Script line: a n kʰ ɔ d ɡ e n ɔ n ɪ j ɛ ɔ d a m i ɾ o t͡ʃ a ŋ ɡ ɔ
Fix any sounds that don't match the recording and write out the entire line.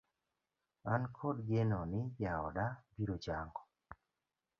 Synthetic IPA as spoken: a n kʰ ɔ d ɡ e n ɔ n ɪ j a ɔ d a b i ɾ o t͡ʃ a ŋ ɡ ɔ